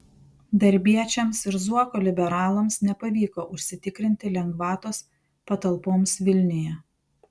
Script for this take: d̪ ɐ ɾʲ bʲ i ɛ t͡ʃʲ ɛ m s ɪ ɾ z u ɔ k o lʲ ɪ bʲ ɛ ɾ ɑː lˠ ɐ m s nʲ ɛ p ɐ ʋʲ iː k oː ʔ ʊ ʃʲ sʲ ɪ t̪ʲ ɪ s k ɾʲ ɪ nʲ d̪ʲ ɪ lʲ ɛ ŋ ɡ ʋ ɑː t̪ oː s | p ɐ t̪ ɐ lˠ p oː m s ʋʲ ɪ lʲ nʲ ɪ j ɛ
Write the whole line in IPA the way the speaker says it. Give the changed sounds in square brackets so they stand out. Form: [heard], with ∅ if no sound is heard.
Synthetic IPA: d̪ ɐ ɾʲ bʲ i ɛ t͡ʃʲ ɛ m s ɪ ɾ z u ɔ k o lʲ ɪ bʲ ɛ ɾ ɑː lˠ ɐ m s nʲ ɛ p ɐ ʋʲ iː k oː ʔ ʊ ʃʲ sʲ ɪ t̪ʲ ɪ [∅] k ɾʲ ɪ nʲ [t̪ʲ] ɪ lʲ ɛ ŋ ɡ ʋ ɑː t̪ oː s | p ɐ t̪ ɐ lˠ p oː m s ʋʲ ɪ lʲ nʲ ɪ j ɛ